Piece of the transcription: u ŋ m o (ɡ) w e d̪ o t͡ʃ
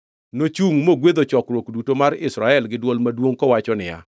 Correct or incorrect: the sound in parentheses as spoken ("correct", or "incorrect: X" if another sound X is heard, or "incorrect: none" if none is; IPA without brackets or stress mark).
correct